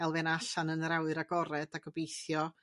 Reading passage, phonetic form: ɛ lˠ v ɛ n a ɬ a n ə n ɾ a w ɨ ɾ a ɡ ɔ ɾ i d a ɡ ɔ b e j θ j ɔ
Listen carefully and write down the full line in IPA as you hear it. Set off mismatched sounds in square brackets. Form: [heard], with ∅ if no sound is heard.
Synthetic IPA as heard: ɛ lˠ v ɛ n a ɬ a n ə n ɾ a w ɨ ɾ a ɡ ɔ ɾ [ɛ] d a ɡ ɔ b e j θ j ɔ